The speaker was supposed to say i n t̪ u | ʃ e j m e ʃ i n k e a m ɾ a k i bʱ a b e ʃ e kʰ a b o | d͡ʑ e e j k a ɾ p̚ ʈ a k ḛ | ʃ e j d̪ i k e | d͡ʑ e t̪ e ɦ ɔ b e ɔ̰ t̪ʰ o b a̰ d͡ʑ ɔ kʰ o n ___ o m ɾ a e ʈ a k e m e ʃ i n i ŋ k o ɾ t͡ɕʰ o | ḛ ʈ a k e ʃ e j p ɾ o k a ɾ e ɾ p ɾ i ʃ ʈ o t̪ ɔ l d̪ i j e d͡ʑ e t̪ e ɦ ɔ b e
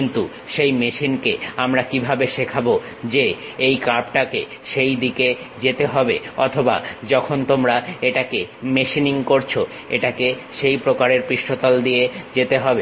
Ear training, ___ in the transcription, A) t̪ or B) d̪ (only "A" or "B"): A